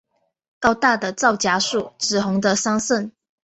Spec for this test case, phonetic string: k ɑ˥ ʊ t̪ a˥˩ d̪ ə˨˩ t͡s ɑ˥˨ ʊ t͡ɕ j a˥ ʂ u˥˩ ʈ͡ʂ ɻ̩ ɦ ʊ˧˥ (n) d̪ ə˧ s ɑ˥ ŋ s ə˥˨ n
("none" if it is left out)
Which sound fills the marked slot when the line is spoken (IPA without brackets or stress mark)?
ŋ